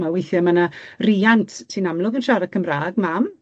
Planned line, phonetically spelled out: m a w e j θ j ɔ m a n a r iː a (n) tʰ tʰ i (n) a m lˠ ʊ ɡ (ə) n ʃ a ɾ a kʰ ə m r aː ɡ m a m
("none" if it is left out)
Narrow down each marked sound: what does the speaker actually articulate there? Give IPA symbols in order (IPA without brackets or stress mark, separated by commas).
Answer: n, n, ə